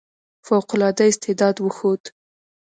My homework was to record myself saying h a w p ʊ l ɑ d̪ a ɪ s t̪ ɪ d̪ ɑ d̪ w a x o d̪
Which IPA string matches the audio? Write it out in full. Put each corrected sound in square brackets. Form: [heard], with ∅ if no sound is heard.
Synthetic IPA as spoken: [f] a w [q] ʊ l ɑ d̪ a ɪ s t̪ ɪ d̪ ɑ d̪ w [ə] x o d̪